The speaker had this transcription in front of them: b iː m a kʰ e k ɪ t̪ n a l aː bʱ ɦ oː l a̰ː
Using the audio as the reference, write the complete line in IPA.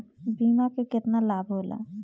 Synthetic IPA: b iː m a k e k ɪ t̪ n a l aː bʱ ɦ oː l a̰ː